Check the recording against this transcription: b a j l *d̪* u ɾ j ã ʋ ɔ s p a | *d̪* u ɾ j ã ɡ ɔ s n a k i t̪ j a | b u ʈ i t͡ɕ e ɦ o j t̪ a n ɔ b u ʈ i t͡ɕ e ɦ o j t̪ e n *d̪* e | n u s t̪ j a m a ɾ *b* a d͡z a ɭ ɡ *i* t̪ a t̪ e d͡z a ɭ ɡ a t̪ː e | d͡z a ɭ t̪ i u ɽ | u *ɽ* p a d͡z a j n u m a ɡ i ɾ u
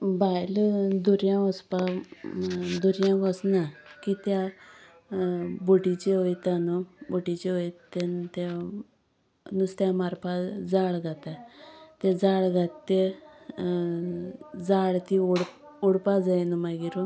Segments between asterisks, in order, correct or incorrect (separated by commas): correct, correct, incorrect, incorrect, incorrect, correct